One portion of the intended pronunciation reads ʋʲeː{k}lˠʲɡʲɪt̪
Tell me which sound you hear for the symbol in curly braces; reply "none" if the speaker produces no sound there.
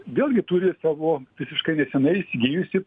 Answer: none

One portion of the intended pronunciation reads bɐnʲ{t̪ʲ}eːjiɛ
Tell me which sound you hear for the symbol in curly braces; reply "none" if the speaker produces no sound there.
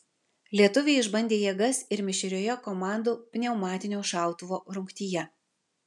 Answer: d̪ʲ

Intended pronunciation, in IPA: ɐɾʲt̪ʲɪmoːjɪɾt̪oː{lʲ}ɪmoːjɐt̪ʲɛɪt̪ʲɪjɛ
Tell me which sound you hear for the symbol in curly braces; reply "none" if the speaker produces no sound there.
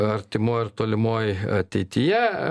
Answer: lʲ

